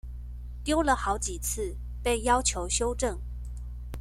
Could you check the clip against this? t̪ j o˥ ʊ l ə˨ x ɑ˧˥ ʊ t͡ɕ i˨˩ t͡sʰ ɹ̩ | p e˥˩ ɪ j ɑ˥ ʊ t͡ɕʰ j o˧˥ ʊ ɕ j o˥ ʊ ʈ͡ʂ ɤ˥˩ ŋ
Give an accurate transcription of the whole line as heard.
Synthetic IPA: t̪ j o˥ ʊ l ə˨ x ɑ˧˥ ʊ t͡ɕ i˨˩ t͡sʰ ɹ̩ | p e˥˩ ɪ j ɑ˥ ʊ t͡ɕʰ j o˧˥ ʊ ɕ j o˥ ʊ ʈ͡ʂ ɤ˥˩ ŋ

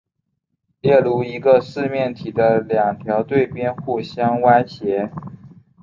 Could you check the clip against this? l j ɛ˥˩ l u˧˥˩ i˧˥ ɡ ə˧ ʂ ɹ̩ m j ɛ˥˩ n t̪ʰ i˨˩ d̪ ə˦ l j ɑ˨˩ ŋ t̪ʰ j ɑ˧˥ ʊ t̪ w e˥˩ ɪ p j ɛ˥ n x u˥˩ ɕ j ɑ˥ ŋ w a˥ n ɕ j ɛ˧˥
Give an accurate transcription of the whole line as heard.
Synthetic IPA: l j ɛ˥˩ l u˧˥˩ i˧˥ ɡ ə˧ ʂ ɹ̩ m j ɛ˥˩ n t̪ʰ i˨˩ d̪ ə˦ l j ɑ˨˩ ŋ t̪ʰ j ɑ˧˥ ʊ t̪ w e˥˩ ɪ p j ɛ˥ n x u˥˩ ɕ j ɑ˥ ŋ w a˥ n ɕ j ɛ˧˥

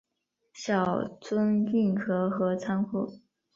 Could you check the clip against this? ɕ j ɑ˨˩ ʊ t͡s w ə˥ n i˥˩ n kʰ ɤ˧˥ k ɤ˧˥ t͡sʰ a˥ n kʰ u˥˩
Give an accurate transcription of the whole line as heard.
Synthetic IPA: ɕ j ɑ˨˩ ʊ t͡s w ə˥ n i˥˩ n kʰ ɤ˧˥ x ɤ˧˥ t͡sʰ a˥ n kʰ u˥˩

